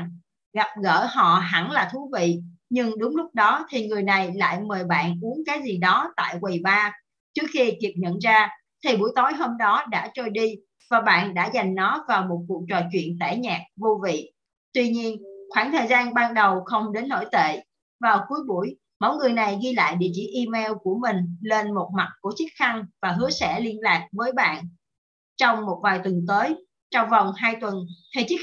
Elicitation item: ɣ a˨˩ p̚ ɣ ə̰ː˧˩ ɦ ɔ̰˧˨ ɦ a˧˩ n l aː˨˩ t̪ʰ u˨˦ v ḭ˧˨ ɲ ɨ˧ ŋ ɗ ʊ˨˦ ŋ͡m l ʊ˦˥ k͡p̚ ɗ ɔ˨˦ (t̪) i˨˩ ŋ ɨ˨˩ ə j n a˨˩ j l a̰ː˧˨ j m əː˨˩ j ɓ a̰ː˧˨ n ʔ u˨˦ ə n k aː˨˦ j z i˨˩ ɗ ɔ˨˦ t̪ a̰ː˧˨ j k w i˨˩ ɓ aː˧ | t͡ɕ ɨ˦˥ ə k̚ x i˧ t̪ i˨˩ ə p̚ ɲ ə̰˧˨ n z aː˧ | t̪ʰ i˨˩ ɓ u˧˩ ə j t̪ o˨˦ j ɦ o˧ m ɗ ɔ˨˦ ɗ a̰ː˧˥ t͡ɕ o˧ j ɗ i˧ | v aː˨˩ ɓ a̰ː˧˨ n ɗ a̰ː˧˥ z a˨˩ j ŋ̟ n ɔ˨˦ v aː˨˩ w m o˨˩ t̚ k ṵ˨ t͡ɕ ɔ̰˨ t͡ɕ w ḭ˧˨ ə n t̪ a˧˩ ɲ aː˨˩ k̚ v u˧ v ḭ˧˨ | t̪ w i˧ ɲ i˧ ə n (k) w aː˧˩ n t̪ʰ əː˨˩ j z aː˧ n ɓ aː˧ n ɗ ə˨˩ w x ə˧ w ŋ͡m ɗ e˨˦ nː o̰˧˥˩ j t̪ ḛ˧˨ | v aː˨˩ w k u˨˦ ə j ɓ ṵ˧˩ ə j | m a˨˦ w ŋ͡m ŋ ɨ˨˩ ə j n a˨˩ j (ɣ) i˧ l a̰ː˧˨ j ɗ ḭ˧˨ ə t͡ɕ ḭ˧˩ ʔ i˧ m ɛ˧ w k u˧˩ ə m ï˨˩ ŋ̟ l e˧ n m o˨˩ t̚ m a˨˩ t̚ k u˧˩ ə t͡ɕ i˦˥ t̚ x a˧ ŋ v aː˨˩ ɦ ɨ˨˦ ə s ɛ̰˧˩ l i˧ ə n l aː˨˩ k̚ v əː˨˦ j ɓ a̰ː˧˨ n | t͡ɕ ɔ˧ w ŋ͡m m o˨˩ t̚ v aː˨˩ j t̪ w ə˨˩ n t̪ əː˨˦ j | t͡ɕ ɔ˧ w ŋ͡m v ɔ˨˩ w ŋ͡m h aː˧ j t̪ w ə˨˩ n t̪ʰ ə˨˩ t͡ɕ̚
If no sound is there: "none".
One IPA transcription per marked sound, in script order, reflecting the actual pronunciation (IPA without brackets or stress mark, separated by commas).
t̪ʰ, x, ɣ